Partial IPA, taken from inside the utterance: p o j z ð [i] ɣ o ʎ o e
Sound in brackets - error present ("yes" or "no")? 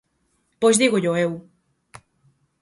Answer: no